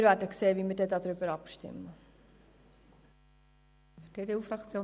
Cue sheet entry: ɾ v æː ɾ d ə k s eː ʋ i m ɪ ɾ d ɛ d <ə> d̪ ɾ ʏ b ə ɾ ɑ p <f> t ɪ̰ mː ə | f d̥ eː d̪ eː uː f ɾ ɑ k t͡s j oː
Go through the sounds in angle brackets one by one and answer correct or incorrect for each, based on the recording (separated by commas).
incorrect, incorrect